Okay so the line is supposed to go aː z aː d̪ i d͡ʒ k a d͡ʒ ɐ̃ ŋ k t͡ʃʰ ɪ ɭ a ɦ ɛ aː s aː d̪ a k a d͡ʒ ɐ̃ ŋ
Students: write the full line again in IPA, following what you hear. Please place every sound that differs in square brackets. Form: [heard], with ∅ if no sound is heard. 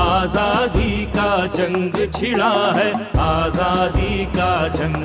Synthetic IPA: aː z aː d̪ i [∅] k a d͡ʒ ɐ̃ ŋ [ɡ] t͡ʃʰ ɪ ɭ a ɦ ɛ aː [z] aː d̪ [i] k a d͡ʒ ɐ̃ ŋ